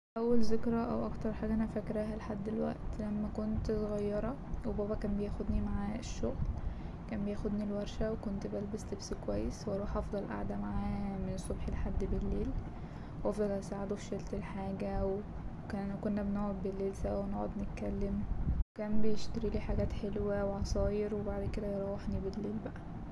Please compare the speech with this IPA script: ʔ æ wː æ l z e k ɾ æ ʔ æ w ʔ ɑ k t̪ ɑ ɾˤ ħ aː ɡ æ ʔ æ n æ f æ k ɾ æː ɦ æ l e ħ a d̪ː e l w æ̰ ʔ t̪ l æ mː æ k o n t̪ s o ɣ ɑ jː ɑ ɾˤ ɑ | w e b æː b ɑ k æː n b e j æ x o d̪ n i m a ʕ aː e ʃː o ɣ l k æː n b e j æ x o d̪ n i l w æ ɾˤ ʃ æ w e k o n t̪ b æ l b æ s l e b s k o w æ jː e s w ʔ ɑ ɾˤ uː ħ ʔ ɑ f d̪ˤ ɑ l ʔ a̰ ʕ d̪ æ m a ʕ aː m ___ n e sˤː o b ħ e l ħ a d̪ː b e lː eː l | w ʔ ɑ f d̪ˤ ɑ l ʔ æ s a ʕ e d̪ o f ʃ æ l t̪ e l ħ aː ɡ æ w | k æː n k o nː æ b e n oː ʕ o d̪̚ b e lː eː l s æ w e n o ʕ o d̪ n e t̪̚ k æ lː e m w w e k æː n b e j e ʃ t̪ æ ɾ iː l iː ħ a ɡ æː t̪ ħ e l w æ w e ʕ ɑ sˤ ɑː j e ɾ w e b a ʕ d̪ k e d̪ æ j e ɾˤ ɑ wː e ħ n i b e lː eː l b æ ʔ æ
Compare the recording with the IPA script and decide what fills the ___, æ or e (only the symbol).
e